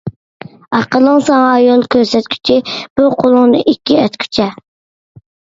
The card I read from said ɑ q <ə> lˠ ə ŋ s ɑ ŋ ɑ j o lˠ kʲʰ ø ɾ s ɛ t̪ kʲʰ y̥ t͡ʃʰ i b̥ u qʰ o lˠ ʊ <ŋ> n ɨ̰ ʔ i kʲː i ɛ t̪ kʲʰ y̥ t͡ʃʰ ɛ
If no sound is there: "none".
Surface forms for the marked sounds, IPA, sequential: ə, ŋ

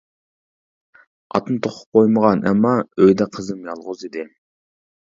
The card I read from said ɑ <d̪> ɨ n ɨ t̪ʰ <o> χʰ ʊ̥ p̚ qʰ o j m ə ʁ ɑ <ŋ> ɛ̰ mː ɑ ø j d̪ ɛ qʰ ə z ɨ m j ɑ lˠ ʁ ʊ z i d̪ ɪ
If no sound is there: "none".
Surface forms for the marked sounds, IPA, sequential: t̪, o, n

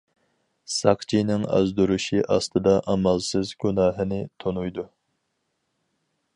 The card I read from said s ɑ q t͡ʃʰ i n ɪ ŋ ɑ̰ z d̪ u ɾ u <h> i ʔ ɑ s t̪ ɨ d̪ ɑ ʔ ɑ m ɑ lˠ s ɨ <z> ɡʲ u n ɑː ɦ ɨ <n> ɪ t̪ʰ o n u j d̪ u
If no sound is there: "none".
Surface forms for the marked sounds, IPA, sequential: ʃ, z, n

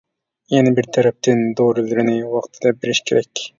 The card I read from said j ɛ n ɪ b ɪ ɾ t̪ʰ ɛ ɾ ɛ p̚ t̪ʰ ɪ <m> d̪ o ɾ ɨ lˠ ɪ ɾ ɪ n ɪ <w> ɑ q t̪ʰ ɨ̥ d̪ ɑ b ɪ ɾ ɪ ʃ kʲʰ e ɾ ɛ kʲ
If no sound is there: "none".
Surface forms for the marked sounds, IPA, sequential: n, w

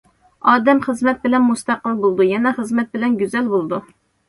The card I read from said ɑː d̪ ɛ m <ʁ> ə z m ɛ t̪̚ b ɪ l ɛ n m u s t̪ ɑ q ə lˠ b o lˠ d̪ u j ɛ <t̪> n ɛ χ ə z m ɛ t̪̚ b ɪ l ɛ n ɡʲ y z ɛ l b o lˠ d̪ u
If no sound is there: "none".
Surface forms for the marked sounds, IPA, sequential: χ, none

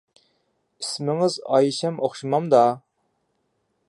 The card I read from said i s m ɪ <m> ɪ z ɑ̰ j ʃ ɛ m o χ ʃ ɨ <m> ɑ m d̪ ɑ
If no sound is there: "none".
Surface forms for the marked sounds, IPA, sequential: ŋ, m

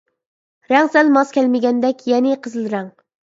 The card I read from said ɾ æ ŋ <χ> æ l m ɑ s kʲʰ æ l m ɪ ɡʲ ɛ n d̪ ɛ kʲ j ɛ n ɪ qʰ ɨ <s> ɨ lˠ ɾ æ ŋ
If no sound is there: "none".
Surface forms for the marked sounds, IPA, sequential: s, z

